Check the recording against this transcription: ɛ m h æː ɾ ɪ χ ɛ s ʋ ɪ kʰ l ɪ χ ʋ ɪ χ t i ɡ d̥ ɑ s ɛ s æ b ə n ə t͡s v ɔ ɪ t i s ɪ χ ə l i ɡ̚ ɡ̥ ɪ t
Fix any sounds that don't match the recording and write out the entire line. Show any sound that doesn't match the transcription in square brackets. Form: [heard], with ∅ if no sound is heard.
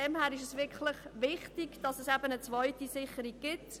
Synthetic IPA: ɛ m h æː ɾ ɪ [ʃ] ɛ s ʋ ɪ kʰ l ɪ χ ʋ ɪ χ t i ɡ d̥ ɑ s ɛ s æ b ə n ə t͡s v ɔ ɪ t i s ɪ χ ə [ɾ] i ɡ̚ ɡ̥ ɪ t